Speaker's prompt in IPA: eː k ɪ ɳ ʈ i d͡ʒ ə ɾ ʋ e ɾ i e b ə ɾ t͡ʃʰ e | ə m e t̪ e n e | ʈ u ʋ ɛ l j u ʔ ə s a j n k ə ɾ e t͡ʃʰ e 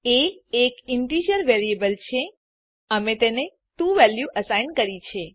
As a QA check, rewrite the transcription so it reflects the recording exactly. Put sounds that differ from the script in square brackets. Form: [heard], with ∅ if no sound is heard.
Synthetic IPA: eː k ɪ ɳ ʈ i d͡ʒ ə ɾ ʋ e ɾ i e b ə [l] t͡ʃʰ e | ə m e t̪ e n e | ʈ u ʋ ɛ l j u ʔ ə s a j n k ə ɾ [i] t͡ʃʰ e